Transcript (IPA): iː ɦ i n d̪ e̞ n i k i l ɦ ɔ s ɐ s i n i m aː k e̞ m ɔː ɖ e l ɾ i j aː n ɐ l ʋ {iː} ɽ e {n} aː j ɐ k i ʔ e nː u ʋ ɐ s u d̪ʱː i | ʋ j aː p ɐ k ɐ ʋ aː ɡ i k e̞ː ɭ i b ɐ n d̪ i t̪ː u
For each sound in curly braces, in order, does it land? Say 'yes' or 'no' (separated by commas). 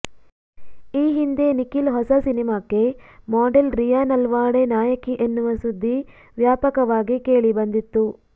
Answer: no, yes